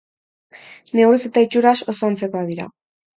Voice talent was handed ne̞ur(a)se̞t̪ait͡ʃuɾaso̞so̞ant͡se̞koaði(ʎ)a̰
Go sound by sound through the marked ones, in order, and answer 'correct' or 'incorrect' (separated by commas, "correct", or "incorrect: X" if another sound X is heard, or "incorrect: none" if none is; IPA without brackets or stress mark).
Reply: incorrect: i, incorrect: ɾ